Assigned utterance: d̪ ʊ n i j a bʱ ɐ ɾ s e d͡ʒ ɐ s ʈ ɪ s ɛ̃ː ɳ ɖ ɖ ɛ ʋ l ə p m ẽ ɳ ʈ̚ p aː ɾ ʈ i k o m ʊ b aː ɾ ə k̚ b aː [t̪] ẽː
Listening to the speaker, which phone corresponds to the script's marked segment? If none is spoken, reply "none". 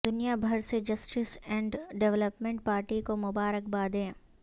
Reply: d̪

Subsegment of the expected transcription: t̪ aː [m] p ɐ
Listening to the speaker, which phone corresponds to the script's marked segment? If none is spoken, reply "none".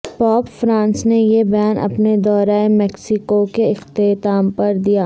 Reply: m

